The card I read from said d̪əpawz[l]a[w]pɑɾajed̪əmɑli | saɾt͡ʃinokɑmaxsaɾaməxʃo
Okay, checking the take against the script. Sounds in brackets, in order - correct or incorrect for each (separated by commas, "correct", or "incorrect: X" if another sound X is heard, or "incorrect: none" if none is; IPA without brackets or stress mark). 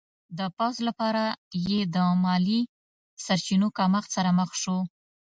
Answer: correct, incorrect: none